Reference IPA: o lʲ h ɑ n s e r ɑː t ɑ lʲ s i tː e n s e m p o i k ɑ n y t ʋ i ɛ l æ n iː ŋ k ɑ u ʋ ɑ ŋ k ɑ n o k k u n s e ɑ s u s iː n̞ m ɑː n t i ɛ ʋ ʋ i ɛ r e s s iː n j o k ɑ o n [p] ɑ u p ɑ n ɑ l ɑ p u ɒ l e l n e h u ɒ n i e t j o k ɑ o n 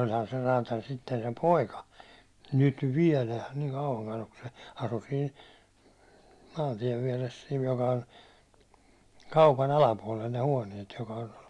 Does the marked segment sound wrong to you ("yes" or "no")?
yes